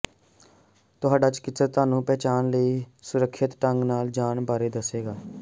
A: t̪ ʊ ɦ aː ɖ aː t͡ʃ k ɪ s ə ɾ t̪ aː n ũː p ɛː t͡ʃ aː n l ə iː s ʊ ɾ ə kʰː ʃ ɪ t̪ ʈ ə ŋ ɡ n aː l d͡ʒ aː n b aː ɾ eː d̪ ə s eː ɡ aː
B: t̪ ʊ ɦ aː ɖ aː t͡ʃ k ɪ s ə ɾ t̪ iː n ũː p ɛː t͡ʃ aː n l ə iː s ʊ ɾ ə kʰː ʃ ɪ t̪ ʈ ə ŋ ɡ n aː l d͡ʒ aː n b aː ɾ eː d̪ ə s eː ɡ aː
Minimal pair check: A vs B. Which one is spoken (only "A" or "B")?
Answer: A